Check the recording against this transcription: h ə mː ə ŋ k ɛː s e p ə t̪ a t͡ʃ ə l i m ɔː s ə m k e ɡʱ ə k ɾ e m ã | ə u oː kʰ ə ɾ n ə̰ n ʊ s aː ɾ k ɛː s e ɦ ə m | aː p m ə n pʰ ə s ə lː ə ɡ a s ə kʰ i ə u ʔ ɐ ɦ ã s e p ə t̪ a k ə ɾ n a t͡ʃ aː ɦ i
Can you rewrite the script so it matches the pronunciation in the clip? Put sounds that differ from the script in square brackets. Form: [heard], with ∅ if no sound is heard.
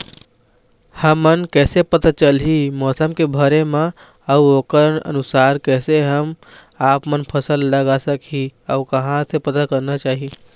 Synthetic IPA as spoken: h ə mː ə [n] k ɛː s e p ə t̪ a t͡ʃ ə l i m ɔː s ə m k e [bʱ] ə [∅] ɾ e m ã | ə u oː [k] ə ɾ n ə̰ n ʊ s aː ɾ k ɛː s e ɦ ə m | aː p m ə n pʰ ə s ə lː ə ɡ a s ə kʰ i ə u [k] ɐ ɦ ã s e p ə t̪ a k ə ɾ n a t͡ʃ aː ɦ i

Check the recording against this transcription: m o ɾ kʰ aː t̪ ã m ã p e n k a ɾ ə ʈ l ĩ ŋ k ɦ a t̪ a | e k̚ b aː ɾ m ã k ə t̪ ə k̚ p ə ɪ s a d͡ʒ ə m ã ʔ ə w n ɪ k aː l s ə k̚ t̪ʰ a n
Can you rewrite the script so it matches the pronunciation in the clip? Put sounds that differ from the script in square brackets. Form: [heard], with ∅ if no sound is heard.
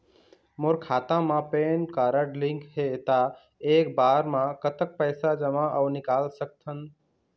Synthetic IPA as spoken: m o ɾ kʰ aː t̪ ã m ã p e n k a ɾ ə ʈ l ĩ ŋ k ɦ [e] t̪ a | e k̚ b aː ɾ m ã k ə t̪ ə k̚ p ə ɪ s a d͡ʒ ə m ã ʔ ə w n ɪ k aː l s ə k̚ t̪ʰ [ə] n

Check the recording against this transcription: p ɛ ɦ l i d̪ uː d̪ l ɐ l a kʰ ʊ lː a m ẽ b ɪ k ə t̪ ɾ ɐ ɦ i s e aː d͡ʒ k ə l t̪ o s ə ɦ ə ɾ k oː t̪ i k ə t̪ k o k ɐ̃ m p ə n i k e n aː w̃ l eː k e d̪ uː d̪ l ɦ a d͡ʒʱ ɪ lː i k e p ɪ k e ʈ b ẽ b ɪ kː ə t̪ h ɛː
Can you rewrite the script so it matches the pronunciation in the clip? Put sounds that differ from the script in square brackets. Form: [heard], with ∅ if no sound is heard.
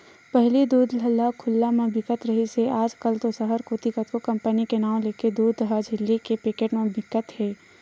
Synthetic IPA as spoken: p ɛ ɦ l i d̪ uː d̪ l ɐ l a kʰ ʊ lː a m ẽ b ɪ k ə t̪ ɾ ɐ ɦ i s e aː d͡ʒ k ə l t̪ o s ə ɦ ə ɾ k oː t̪ i k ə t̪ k o k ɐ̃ m p ə n i k e n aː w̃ l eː k e d̪ uː d̪ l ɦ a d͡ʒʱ ɪ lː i k e p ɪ k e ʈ [m] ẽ b ɪ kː ə t̪ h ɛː

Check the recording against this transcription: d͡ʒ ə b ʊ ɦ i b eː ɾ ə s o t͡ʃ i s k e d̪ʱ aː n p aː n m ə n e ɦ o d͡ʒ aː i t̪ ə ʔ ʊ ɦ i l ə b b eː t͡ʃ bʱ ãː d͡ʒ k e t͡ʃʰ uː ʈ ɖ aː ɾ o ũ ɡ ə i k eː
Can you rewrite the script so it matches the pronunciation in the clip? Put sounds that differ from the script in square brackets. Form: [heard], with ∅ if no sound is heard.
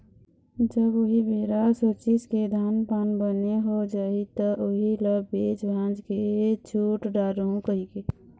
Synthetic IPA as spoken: d͡ʒ ə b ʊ ɦ i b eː ɾ [a] s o t͡ʃ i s k e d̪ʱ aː n p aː n [b] ə n e ɦ o d͡ʒ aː i t̪ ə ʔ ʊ ɦ i l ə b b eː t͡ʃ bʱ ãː d͡ʒ k e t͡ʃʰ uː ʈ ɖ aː ɾ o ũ [k] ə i k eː

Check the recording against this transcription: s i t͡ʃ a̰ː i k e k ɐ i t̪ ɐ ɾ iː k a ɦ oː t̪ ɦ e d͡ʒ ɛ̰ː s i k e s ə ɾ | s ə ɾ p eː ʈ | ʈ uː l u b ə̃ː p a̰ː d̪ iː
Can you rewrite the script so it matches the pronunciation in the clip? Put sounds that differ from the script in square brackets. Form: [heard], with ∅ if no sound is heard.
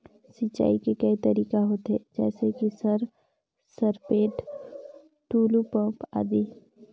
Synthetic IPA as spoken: s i t͡ʃ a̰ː i k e k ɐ i t̪ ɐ ɾ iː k a ɦ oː t̪ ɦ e d͡ʒ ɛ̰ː s [e] k [i] s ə ɾ | s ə ɾ p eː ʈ | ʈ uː l u [p] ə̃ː p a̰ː d̪ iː

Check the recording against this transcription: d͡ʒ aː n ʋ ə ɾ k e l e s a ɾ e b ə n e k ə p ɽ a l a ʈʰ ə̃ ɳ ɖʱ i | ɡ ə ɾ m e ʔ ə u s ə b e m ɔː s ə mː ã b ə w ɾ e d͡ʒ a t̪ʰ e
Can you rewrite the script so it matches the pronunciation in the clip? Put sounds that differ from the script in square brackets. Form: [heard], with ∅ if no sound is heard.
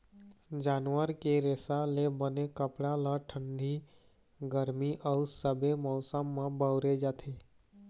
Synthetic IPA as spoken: d͡ʒ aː n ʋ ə ɾ k e [ɾ] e s a [l] e b ə n e k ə p ɽ a l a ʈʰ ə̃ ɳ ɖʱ i | ɡ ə ɾ m [i] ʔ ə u s ə b e m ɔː s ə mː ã b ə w ɾ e d͡ʒ a t̪ʰ e

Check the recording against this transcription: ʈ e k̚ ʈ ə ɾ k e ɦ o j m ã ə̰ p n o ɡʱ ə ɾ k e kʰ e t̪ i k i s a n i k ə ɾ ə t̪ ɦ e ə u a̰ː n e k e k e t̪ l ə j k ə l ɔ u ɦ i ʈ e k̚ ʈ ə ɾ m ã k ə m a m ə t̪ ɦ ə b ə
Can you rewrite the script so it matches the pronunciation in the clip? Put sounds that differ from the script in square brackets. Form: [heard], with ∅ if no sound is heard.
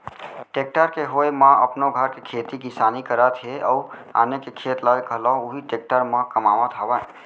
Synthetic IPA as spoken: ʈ e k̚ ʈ ə ɾ k e ɦ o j m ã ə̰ p n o ɡʱ ə ɾ k e kʰ e t̪ i k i s a n i k ə ɾ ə t̪ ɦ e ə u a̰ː n e k e [kʰ] e t̪ l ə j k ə l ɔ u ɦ i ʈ e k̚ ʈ ə ɾ m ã k ə m a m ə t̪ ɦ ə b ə

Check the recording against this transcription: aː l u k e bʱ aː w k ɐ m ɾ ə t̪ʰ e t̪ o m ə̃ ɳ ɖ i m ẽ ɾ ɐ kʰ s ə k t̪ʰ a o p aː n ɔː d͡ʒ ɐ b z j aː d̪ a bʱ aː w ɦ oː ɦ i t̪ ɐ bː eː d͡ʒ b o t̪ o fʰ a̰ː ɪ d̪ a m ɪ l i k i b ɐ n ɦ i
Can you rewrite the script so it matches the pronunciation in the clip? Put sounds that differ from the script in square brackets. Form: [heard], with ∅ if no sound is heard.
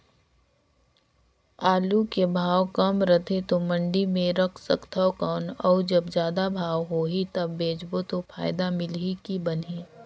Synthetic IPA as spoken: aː l u k e bʱ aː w k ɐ m ɾ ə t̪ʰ e t̪ o m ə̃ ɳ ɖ i m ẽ ɾ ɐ kʰ s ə k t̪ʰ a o [k] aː n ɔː d͡ʒ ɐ b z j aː d̪ a bʱ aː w ɦ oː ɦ i t̪ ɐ bː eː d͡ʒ b o t̪ o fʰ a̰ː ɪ d̪ a m ɪ l i k i b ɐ n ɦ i

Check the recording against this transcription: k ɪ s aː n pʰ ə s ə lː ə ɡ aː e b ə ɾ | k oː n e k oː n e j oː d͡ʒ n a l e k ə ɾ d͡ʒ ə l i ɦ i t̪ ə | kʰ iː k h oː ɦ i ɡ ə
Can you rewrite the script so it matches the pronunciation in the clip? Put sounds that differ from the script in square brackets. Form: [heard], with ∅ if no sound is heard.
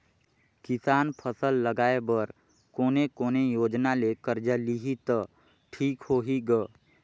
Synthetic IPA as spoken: k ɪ s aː n pʰ ə s ə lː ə ɡ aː e b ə ɾ | k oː n e k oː n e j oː d͡ʒ n a l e k ə ɾ d͡ʒ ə l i ɦ i t̪ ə | [ʈʰ] iː k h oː ɦ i ɡ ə

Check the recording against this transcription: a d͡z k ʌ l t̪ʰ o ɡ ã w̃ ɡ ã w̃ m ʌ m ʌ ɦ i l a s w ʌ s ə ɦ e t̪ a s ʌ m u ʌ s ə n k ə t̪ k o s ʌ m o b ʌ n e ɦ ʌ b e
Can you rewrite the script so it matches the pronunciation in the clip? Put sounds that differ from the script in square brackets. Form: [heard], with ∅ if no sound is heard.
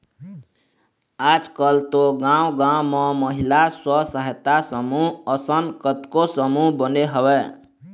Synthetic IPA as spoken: a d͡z k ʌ l [t̪] o ɡ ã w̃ ɡ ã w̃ m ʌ m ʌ ɦ i l a s w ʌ s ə ɦ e t̪ a s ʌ m u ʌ s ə n k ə t̪ k o s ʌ m [u] b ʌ n e ɦ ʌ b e

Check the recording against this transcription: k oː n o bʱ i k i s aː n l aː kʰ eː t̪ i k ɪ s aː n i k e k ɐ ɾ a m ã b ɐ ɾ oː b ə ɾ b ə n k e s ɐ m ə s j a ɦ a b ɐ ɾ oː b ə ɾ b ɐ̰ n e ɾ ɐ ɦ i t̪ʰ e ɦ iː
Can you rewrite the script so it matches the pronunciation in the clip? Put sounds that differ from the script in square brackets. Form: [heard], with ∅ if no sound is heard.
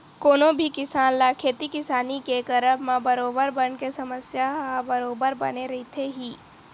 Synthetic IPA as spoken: k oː n o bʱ i k [ɪ] s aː n l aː kʰ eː t̪ i k ɪ s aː n i k e k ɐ ɾ [ə] m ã b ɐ ɾ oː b ə ɾ b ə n k e s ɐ m ə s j a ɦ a b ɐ ɾ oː b ə ɾ b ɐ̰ n e ɾ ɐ ɦ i t̪ʰ e ɦ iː

